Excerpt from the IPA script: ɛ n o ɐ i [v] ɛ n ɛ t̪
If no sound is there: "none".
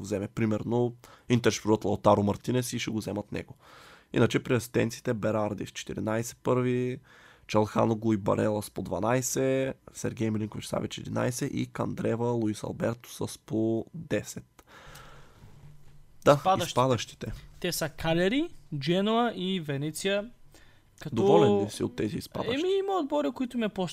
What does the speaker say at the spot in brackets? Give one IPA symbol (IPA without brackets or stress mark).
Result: v